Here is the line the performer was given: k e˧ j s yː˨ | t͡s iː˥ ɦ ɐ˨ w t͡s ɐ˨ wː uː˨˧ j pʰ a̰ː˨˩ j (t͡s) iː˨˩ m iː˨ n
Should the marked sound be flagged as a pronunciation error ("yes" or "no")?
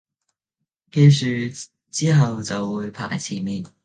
yes